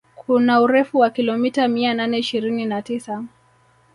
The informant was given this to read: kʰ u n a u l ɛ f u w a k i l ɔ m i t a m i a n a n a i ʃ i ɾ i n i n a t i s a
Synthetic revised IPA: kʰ u n a u ɾ ɛ f u w a k i l ɔ m i t a m i a n a n ɛ i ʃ i ɾ i n i n a t i s a